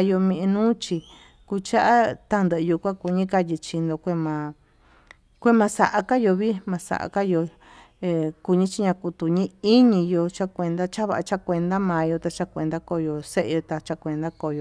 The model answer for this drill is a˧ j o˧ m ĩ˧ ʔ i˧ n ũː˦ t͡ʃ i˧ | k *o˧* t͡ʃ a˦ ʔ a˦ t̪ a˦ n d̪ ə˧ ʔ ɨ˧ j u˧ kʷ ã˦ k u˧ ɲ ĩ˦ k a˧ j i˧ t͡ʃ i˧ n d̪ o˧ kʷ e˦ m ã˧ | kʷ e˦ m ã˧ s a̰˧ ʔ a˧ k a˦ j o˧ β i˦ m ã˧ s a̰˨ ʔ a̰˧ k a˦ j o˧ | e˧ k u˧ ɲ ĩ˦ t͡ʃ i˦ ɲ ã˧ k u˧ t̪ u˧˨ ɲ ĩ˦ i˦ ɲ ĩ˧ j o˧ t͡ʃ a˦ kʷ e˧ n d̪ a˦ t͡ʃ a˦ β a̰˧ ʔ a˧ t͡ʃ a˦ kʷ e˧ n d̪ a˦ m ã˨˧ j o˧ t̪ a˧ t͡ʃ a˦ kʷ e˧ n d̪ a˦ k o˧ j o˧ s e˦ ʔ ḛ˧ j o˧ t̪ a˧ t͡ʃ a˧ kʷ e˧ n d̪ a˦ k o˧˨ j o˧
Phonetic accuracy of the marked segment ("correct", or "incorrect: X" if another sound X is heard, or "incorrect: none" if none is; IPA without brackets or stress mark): incorrect: u˧